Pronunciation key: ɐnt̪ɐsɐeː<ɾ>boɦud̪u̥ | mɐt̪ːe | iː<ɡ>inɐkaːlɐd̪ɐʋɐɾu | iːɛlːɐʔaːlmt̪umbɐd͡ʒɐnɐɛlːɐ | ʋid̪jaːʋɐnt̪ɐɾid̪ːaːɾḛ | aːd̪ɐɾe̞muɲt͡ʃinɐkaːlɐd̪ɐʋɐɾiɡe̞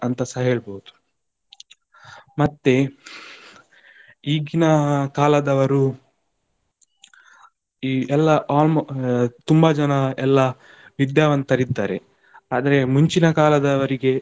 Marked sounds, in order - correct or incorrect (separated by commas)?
incorrect, correct